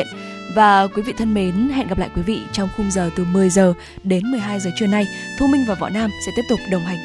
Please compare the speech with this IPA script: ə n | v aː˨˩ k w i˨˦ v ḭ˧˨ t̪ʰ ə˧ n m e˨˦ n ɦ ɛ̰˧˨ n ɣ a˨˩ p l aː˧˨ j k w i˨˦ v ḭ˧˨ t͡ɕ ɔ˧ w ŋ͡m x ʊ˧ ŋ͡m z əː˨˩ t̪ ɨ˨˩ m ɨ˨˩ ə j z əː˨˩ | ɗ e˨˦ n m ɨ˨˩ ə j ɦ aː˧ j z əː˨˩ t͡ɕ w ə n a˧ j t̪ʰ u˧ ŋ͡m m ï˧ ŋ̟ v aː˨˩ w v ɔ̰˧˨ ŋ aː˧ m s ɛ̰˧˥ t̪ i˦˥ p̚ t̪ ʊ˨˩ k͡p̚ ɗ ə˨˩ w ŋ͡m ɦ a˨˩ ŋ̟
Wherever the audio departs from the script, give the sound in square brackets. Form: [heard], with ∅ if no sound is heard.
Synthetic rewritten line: ə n | v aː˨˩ k w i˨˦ v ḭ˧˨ t̪ʰ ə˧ n m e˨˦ n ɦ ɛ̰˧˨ n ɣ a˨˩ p l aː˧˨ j k w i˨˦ v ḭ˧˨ t͡ɕ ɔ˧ w ŋ͡m x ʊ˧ ŋ͡m z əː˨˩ t̪ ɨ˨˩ m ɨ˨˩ ə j z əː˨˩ | ɗ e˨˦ n m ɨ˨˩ ə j ɦ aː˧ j z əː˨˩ t͡ɕ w ə n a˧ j t̪ʰ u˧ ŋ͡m m ï˧ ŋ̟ v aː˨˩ w v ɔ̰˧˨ [n] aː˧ m s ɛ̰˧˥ t̪ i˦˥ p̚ t̪ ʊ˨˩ k͡p̚ ɗ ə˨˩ w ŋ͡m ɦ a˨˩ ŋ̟